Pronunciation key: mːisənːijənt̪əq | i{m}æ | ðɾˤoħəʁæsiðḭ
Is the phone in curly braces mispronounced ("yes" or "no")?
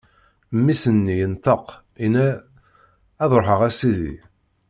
yes